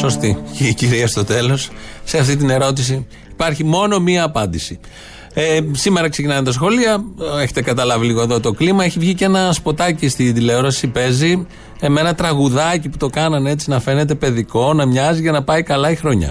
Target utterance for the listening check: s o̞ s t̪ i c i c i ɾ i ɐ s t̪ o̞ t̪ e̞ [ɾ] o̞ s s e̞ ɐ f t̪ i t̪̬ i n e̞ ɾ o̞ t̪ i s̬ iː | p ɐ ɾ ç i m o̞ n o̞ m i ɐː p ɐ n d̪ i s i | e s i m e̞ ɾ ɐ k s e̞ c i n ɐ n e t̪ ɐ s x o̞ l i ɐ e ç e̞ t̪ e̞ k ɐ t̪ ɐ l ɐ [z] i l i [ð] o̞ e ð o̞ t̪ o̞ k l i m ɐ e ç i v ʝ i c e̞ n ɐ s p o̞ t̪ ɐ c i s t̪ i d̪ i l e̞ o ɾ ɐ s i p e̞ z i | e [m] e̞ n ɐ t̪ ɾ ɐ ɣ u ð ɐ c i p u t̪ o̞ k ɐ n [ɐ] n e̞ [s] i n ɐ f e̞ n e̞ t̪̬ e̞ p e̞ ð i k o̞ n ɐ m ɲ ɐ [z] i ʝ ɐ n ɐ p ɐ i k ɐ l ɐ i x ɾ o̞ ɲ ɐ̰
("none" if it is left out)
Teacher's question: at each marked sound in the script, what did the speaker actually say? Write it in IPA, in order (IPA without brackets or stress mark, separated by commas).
l, v, ɣ, m, ɐ, t͡s, z